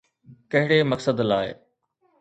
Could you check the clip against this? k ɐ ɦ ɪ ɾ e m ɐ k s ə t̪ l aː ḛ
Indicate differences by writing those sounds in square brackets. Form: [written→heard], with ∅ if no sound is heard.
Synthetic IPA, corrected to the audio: k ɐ ɦ ɪ [ɾ→ɽ] e m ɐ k s ə [t̪→d̪] l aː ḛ